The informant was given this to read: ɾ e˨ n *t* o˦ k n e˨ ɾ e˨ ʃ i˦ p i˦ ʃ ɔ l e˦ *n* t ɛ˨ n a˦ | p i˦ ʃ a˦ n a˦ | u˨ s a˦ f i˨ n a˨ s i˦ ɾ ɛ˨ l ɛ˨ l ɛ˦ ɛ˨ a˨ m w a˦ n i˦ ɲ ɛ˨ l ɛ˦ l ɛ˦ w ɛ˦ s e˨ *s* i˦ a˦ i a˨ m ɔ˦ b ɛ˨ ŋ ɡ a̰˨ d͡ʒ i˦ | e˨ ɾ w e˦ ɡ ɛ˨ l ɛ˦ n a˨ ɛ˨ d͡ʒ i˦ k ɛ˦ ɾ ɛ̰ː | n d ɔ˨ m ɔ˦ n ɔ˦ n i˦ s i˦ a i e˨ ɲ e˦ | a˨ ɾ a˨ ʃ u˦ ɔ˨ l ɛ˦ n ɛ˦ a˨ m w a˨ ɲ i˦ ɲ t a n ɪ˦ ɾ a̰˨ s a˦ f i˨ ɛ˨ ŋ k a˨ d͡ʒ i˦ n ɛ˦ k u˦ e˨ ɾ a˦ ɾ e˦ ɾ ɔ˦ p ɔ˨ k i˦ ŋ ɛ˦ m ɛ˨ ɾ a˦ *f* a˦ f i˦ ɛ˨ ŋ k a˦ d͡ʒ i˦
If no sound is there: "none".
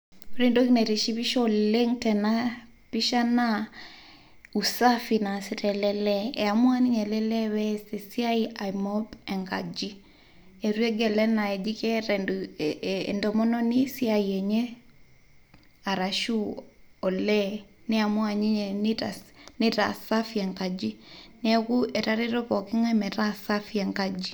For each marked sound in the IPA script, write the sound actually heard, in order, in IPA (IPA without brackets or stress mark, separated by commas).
d, ŋ, s, s